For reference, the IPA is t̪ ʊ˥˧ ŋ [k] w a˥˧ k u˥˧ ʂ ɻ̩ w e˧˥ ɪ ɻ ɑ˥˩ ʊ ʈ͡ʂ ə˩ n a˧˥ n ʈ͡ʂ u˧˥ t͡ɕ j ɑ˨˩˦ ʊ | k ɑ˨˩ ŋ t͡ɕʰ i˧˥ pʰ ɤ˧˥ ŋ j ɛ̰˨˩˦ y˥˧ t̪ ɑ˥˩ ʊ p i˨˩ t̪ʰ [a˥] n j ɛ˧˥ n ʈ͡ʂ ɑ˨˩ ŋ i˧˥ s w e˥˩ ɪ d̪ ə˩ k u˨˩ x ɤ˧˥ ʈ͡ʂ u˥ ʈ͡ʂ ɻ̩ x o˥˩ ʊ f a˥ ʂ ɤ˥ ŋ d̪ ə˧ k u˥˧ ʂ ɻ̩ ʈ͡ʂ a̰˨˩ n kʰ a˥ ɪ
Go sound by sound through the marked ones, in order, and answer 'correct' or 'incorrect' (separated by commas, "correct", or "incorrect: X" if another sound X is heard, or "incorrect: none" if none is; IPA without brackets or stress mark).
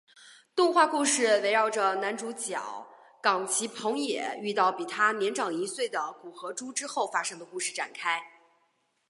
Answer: incorrect: x, correct